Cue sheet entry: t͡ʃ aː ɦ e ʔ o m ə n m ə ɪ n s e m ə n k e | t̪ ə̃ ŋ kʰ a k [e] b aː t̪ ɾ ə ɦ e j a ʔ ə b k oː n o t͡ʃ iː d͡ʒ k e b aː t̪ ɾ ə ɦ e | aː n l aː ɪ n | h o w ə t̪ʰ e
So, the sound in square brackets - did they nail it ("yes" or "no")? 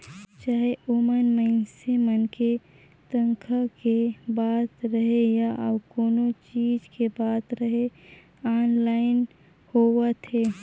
yes